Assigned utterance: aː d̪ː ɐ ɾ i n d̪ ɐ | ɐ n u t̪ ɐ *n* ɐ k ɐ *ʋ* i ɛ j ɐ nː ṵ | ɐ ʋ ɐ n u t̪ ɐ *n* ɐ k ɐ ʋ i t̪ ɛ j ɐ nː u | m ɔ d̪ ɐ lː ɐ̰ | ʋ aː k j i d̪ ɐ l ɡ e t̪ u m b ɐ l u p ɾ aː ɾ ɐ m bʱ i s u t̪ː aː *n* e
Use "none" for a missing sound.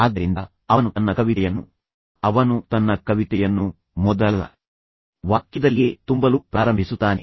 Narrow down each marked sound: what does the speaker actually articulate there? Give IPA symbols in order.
nː, ʋ, nː, n

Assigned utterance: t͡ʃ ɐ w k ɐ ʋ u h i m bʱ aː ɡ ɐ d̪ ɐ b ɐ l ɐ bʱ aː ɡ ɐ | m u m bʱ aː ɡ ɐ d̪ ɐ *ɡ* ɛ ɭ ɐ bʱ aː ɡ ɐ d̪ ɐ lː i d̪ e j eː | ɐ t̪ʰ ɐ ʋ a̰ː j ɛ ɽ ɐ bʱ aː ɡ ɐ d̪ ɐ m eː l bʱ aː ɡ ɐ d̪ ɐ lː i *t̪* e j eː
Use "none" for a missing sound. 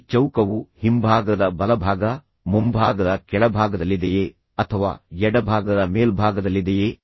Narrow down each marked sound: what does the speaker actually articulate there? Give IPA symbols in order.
k, d̪

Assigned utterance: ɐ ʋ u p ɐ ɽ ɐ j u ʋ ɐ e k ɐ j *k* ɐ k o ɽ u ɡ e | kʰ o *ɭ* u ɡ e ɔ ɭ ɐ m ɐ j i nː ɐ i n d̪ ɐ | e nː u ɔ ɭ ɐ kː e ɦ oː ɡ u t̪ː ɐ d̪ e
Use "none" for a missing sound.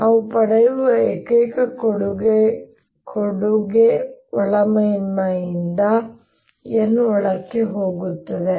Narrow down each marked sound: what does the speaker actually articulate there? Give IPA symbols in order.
k, ɽ

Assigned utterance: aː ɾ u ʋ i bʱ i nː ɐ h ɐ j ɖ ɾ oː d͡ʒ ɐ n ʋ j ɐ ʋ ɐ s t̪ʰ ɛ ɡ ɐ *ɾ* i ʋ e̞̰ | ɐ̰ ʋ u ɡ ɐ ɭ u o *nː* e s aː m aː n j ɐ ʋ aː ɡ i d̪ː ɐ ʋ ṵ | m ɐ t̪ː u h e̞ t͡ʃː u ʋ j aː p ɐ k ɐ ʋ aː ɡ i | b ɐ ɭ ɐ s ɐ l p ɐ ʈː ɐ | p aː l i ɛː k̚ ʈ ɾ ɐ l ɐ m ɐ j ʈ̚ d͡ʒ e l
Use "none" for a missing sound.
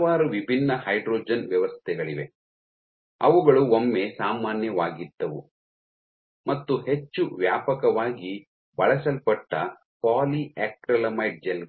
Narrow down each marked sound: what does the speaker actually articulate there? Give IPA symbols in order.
ɭ, mː

